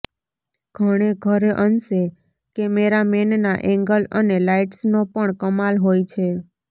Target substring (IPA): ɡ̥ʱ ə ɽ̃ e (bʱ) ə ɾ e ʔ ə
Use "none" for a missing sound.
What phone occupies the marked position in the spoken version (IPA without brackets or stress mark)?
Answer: ɡʱ